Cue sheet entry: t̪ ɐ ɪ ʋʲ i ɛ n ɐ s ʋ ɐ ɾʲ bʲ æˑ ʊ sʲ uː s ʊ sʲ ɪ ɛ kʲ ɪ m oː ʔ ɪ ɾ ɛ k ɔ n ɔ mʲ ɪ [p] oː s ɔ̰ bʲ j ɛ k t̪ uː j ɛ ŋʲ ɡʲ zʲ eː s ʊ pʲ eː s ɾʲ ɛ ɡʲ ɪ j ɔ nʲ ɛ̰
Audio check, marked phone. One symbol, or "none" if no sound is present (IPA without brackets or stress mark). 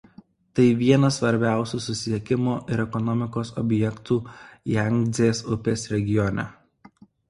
k